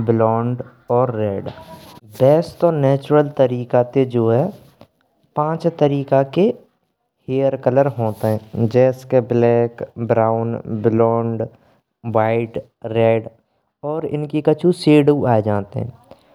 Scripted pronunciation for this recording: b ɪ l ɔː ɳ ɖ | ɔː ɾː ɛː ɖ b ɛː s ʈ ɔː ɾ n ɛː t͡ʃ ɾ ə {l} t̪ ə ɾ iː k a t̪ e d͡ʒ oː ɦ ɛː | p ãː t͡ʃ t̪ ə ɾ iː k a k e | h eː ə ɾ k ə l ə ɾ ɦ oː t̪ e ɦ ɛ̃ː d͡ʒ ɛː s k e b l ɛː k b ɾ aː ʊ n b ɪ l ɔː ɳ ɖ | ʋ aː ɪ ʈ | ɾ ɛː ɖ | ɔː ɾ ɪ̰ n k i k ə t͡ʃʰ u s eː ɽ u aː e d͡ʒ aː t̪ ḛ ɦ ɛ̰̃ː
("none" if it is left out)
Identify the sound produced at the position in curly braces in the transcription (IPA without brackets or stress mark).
l